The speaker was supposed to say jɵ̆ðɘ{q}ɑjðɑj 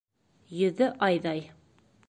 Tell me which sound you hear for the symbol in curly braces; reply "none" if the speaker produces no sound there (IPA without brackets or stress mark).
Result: ʔ